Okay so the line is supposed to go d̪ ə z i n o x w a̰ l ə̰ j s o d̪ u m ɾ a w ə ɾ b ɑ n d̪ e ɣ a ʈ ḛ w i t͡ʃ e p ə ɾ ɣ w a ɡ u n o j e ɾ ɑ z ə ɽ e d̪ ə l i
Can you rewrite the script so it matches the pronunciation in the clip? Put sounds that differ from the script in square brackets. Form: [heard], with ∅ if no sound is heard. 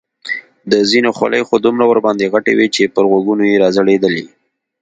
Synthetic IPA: d̪ ə z i n o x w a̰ l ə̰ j [x] o d̪ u m ɾ a w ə ɾ b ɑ n d̪ e ɣ a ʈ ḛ w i t͡ʃ e p ə ɾ ɣ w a ɡ u n o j e ɾ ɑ z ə ɽ e d̪ ə l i